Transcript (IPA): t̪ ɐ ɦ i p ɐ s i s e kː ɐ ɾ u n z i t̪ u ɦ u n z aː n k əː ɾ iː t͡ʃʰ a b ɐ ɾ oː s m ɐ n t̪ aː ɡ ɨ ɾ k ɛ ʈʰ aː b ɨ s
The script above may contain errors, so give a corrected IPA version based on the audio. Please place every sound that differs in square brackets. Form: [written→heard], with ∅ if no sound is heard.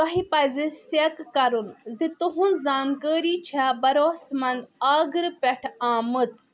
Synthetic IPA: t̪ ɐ ɦ i p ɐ [s→z] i s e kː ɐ ɾ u n z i t̪ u ɦ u n z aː n k əː ɾ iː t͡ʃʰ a b ɐ ɾ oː s m ɐ n [t̪→d̪] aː ɡ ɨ ɾ [k→p] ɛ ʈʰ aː [b→m] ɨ [s→t͡s]